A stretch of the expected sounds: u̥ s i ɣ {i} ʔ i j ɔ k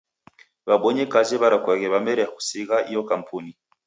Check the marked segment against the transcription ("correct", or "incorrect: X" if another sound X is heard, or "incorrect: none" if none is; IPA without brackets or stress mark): incorrect: a